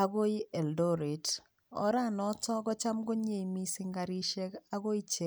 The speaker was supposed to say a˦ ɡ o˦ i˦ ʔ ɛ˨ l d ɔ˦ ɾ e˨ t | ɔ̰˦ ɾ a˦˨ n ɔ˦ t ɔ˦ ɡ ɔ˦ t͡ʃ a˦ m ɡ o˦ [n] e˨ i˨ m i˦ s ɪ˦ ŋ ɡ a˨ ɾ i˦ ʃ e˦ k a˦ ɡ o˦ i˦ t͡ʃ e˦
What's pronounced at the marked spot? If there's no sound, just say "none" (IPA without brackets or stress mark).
ɲ